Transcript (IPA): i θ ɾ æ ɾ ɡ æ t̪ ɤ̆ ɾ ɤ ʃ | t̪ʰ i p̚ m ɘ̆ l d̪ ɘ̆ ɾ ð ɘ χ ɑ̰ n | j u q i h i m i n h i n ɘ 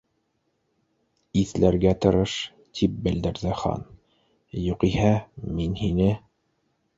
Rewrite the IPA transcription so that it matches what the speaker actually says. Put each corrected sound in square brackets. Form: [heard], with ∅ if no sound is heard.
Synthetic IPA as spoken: i θ [l] æ ɾ ɡ æ t̪ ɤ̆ ɾ ɤ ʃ | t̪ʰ i p̚ [b] ɘ̆ l d̪ ɘ̆ ɾ ð ɘ χ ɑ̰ n | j u q i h [æ] m i n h i n ɘ